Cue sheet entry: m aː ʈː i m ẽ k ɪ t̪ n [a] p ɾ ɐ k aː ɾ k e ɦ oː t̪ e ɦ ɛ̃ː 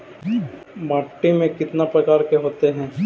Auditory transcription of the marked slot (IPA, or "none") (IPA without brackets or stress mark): a